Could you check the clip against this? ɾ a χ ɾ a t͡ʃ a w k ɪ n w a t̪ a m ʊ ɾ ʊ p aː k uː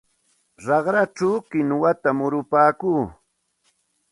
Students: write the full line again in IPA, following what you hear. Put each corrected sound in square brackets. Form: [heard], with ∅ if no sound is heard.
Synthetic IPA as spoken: ɾ [ɑ] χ ɾ a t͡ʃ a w k ɪ n w a t̪ a m ʊ ɾ ʊ p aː k uː